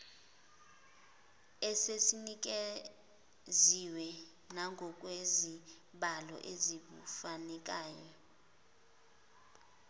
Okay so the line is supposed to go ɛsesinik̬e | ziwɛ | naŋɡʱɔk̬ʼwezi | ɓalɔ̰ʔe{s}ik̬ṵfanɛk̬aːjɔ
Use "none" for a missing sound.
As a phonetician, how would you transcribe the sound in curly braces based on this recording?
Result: z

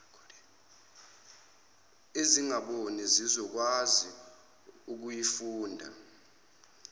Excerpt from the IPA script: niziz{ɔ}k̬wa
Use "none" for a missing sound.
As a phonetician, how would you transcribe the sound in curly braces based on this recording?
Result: ɔ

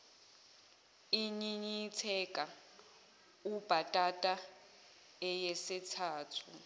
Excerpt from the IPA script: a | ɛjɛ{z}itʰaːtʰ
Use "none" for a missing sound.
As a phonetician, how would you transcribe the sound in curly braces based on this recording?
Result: s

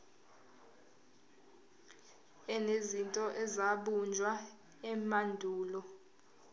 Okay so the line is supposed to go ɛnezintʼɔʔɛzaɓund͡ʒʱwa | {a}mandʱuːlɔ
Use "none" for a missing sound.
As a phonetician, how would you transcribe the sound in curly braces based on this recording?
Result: ɛ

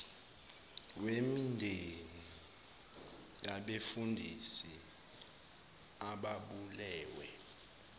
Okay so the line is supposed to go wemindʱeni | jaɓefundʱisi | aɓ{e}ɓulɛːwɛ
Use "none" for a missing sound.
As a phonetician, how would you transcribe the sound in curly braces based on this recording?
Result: a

